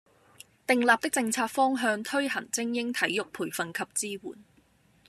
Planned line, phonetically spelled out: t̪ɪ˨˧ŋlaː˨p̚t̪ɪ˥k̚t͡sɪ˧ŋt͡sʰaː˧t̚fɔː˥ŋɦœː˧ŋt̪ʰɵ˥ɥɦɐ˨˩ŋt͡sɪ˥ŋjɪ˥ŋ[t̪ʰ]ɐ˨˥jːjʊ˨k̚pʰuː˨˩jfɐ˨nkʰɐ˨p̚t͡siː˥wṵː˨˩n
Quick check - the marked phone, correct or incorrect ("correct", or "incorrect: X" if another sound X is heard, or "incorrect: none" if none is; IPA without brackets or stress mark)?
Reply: correct